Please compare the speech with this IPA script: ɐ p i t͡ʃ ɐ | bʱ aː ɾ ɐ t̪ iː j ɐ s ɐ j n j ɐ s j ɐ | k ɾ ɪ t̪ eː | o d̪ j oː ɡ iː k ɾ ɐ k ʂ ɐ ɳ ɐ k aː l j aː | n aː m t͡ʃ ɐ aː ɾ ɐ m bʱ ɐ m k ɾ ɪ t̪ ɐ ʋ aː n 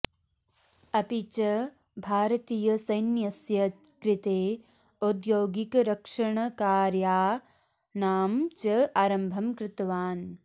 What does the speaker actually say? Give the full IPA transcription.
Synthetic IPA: ɐ p i t͡ʃ ɐ | bʱ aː ɾ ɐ t̪ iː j ɐ s ɐ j n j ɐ s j ɐ | k ɾ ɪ t̪ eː | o d̪ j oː ɡ i k ɾ ɐ k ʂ ɐ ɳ ɐ k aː ɾ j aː | n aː m t͡ʃ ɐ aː ɾ ɐ m bʱ ɐ m k ɾ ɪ t̪ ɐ ʋ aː n